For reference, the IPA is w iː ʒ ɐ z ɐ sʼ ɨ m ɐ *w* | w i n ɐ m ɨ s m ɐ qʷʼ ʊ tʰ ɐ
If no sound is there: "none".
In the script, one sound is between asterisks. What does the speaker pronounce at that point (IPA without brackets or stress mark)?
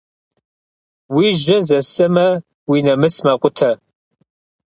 none